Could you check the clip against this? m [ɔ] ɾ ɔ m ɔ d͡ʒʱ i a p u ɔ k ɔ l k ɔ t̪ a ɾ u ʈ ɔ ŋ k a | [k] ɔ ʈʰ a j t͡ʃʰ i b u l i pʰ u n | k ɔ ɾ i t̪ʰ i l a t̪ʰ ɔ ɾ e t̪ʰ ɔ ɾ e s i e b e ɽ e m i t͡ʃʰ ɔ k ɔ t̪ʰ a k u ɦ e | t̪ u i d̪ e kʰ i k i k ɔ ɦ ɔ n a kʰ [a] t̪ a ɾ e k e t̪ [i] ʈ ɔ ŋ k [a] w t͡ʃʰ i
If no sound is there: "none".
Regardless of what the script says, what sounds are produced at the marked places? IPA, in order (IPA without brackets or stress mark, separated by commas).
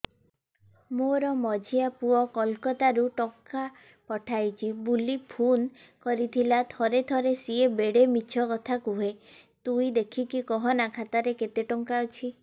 o, p, a, e, a